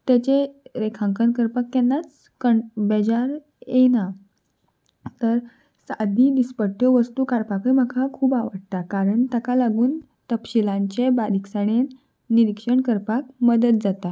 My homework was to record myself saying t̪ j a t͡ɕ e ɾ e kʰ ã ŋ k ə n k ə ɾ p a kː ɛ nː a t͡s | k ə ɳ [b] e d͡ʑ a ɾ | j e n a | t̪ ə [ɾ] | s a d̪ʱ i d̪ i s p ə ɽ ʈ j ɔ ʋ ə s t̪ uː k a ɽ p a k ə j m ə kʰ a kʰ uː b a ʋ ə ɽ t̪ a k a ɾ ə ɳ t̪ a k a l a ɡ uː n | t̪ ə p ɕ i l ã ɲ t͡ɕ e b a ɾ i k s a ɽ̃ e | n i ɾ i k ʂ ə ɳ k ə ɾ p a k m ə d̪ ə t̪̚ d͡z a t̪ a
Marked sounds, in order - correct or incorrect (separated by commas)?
correct, correct